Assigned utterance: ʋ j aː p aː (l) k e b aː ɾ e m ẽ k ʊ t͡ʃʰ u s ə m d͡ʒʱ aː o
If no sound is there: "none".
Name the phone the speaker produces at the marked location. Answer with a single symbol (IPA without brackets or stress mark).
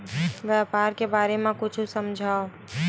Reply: ɾ